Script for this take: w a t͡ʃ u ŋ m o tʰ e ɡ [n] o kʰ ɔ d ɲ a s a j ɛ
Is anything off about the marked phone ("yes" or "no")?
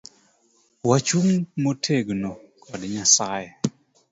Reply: no